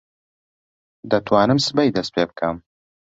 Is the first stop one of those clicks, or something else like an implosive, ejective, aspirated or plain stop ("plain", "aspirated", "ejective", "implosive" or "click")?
plain